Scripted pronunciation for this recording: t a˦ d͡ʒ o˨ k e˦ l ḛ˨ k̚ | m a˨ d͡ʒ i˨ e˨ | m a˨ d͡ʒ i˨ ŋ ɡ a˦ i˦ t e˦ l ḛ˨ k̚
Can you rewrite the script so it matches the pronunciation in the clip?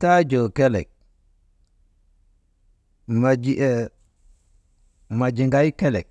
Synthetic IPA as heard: t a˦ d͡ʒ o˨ k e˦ l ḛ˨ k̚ | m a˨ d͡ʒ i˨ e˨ | m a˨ d͡ʒ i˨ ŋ ɡ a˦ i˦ k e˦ l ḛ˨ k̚